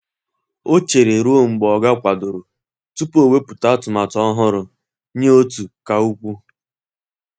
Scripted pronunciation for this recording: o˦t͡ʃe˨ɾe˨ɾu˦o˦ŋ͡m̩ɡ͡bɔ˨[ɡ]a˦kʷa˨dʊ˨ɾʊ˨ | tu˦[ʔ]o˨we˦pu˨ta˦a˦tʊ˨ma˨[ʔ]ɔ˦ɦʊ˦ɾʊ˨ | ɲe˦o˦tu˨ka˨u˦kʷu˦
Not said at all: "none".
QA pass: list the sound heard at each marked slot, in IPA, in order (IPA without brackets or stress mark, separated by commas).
ɡ, p, t